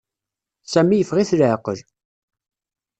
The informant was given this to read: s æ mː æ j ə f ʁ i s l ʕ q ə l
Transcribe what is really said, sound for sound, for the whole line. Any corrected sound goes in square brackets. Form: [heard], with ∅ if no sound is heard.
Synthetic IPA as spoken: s æ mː [i] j ə f ʁ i [θ] l ʕ q ə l

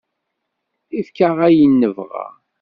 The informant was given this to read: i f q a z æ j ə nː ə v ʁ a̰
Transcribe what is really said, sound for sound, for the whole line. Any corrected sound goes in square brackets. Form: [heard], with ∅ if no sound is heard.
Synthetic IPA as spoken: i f [k] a [ʁ] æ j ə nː ə v ʁ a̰

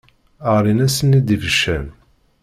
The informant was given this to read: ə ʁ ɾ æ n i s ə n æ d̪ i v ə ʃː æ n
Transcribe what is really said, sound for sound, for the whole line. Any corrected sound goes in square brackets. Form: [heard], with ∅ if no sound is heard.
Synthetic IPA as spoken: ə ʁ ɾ [i] n [æ] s ə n [i] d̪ i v ə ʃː æ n

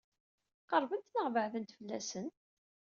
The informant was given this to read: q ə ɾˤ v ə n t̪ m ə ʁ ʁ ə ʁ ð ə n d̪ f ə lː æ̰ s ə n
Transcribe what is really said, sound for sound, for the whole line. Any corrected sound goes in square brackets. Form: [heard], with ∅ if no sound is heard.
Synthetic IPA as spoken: q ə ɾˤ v ə n t̪ [n] ə ʁ [v] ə [ʕ] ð ə n [t̪] f ə lː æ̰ s ə n

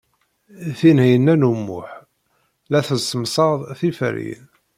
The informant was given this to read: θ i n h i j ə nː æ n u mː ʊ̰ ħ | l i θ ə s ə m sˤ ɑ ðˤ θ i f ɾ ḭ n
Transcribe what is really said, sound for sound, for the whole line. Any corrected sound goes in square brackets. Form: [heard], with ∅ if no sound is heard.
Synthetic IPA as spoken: θ i n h i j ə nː æ n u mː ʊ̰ ħ | l [æ] θ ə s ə m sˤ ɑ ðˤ θ i f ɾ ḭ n

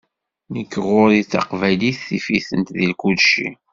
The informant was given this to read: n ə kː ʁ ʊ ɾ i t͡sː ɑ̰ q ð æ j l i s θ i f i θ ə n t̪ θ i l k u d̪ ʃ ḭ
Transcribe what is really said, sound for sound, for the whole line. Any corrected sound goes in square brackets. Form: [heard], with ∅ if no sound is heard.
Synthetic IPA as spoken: n ə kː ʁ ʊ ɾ i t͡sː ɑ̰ q [v] æ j l i [θ] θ i f i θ ə n t̪ [ð] i l k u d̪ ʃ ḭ

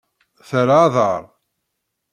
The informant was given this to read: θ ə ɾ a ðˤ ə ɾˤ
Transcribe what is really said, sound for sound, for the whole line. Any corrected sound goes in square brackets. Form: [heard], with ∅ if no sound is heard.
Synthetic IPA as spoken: θ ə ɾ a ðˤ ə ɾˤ

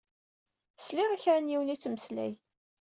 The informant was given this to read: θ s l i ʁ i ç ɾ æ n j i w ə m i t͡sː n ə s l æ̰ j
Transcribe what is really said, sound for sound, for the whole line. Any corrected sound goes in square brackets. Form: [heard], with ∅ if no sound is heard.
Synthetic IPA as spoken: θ s l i ʁ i ç ɾ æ n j i w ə [n] i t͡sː [m] ə s l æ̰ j

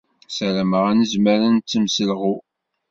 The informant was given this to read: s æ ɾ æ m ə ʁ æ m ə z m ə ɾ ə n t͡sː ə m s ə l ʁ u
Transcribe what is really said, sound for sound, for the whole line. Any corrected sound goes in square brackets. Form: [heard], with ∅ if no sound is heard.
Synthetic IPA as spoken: s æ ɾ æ m ə ʁ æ [n] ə z m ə ɾ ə n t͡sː ə m s ə l ʁ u

